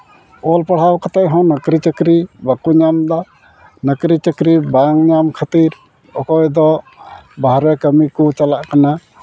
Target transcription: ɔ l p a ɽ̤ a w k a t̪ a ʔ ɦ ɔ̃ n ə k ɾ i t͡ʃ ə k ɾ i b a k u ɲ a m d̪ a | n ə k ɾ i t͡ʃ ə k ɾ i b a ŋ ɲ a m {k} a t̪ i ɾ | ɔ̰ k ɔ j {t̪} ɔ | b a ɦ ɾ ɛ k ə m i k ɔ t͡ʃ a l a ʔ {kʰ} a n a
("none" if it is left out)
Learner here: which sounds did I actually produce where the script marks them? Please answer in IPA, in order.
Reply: kʰ, d̪, k

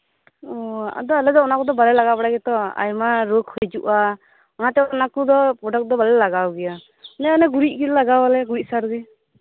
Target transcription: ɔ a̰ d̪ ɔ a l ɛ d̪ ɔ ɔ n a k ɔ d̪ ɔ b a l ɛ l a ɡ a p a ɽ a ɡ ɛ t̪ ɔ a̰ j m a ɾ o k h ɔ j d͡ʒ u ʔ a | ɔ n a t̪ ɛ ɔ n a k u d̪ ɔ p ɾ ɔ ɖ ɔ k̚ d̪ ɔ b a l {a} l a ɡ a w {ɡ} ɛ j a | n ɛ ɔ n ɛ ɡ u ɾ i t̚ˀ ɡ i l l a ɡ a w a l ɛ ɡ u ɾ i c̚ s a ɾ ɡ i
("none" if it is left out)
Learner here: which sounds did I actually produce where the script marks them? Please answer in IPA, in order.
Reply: ɛ, ɡ

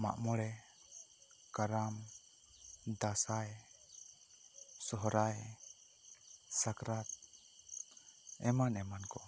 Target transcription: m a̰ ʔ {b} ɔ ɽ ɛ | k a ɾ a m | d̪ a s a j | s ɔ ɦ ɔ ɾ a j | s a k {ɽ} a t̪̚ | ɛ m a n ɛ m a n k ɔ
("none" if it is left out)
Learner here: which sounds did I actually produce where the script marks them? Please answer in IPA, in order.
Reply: m, ɾ

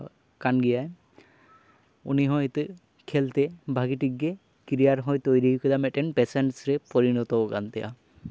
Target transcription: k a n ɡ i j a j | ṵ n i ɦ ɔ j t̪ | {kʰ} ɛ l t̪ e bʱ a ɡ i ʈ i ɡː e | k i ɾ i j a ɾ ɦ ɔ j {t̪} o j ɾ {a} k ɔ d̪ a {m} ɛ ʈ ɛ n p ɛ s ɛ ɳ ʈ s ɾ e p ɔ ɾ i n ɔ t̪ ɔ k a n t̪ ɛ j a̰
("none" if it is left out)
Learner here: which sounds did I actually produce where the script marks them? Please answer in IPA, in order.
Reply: kʰ, t̪, i, m

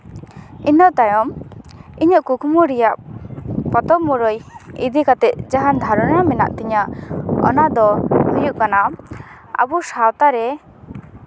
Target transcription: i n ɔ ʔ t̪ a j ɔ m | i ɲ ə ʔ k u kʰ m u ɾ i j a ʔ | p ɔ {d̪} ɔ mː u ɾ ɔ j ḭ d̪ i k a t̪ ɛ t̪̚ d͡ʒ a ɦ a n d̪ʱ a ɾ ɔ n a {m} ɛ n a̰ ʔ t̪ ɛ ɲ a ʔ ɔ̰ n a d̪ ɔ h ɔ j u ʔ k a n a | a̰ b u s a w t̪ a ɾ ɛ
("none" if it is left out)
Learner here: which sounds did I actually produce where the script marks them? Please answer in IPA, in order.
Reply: t̪, m

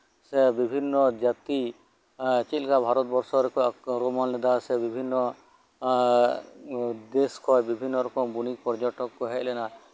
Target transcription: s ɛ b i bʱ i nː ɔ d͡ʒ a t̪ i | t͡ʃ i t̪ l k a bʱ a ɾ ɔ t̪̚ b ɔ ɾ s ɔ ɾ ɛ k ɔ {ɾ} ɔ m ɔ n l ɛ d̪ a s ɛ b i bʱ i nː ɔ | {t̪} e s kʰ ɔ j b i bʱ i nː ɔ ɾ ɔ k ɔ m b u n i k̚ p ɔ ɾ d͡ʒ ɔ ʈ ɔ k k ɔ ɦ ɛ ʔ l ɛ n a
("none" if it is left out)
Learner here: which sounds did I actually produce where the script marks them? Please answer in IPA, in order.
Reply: ɾ, d̪

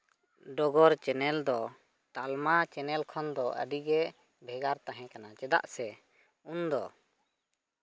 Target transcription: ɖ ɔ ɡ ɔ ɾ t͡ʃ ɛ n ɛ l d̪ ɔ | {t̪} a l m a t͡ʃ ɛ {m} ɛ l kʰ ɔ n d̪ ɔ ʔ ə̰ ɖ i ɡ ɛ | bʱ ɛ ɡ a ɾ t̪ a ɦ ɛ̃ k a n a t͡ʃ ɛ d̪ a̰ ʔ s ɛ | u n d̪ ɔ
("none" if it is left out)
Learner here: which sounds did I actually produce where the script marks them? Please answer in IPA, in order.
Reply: t̪, n

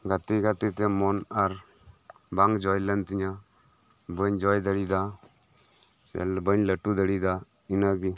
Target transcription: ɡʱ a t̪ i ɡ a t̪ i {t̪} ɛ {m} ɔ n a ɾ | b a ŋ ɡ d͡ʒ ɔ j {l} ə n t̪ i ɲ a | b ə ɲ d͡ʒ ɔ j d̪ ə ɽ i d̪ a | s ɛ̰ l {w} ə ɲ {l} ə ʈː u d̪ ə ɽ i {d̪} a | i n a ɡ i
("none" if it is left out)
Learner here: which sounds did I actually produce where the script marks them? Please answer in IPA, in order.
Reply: t̪, m, l, b, l, d̪

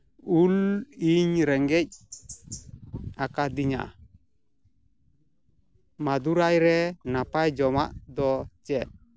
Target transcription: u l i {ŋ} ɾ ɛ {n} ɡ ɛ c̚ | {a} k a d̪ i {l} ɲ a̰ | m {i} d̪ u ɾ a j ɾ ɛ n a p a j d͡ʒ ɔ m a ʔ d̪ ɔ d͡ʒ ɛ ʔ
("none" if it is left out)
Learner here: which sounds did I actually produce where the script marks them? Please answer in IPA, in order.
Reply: ɲ, ŋ, a, none, a

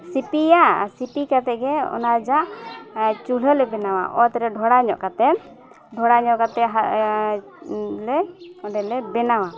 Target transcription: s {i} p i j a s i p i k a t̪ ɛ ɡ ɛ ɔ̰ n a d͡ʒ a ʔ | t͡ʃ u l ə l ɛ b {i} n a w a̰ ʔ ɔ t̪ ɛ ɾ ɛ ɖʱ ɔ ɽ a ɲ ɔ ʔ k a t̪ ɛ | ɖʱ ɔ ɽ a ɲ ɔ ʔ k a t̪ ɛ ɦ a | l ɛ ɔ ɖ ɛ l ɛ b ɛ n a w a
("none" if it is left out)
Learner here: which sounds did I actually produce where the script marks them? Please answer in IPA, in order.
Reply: i, ɛ

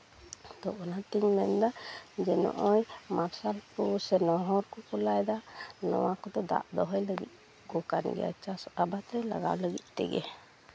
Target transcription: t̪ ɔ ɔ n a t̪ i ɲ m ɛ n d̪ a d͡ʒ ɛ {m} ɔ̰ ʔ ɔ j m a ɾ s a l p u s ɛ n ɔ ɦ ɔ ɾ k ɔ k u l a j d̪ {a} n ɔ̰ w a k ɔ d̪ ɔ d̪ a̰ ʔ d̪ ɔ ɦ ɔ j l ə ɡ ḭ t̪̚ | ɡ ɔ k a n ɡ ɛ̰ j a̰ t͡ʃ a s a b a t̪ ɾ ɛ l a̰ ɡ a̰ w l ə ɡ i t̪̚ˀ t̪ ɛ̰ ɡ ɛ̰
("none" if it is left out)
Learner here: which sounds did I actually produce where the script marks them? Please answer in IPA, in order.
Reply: n, a

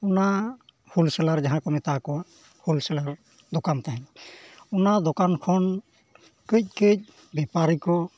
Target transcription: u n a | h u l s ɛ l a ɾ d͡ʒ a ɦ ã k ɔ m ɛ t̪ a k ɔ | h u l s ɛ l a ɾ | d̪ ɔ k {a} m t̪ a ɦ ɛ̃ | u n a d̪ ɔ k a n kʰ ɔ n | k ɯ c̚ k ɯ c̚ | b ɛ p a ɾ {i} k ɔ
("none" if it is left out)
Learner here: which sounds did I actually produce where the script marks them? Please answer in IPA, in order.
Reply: a, i

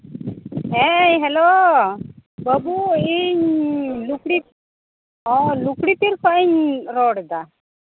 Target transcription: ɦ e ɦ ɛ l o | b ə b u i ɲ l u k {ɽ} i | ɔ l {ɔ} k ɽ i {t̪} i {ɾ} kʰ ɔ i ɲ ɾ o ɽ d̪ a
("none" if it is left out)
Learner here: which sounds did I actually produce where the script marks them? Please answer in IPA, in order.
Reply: ɽ, u, t̪, ɾ

